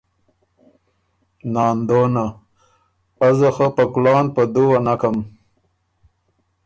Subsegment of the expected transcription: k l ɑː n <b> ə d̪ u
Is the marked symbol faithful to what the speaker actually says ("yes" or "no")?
no